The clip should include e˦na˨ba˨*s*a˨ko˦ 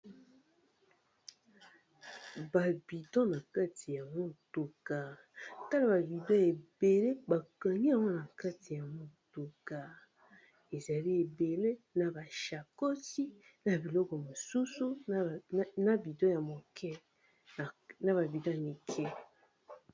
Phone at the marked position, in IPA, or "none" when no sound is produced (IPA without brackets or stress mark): ʃ